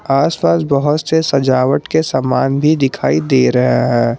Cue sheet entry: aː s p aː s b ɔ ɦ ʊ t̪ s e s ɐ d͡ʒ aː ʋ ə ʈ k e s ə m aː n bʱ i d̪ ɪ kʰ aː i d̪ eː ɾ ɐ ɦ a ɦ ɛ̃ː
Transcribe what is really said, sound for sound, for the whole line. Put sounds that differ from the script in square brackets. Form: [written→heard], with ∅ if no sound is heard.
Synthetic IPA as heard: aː s p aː s b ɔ ɦ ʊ t̪ s e s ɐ d͡ʒ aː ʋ ə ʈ k e s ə m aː n bʱ i d̪ ɪ kʰ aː i d̪ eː ɾ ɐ ɦ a ɦ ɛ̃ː

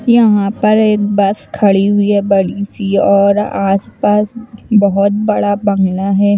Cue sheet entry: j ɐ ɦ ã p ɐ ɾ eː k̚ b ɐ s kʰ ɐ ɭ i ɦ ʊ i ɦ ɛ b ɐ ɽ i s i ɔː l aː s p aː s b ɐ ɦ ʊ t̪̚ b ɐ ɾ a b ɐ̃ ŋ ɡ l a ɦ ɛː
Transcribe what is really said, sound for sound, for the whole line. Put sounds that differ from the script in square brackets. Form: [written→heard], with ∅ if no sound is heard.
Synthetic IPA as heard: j ɐ ɦ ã p ɐ ɾ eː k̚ b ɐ s kʰ ɐ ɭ i ɦ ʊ i ɦ ɛ b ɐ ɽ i s i ɔː [l→ɾ] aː s p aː s b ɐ ɦ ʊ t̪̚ b ɐ [ɾ→ɽ] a b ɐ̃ ŋ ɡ l a ɦ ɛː

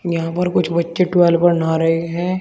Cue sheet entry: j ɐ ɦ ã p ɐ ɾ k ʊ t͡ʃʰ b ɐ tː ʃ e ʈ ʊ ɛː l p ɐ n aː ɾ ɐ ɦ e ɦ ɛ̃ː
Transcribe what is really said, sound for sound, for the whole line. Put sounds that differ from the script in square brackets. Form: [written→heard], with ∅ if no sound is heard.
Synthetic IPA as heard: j ɐ ɦ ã p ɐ ɾ k ʊ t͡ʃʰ b ɐ tː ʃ e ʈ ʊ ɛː l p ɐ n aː ɾ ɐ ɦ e ɦ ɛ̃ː

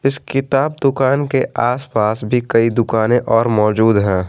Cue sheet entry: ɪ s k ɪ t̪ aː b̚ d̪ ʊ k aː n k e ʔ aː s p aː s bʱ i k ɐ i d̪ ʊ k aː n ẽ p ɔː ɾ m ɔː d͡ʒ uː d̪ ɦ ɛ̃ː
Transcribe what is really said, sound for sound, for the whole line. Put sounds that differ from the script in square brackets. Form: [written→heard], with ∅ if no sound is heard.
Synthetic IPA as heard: ɪ s k ɪ t̪ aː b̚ d̪ ʊ k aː n k e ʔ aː s p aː s bʱ i k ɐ i d̪ ʊ k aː n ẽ [p→ʔ] ɔː ɾ m ɔː d͡ʒ uː d̪ ɦ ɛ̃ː

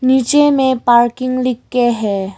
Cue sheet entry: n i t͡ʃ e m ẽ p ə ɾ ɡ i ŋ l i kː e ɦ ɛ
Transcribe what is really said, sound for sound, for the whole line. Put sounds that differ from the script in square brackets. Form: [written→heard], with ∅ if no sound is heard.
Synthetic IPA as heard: n i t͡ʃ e m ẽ p [ə→a] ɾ [ɡ→k] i ŋ l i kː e ɦ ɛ

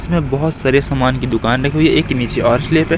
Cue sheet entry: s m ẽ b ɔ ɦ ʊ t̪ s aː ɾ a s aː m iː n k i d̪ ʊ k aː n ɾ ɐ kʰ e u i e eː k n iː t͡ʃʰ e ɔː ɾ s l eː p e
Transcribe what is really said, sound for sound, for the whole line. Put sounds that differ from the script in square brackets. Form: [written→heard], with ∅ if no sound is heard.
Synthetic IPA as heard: s m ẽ b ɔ ɦ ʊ t̪ s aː ɾ [a→e] s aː m [iː→aː] n k i d̪ ʊ k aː n ɾ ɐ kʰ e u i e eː k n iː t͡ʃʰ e ɔː ɾ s l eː p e

